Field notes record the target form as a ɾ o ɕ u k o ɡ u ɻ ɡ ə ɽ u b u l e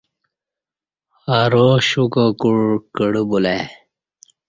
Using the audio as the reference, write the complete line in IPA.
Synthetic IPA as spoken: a ɾ o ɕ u k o k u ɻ k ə ɽ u b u l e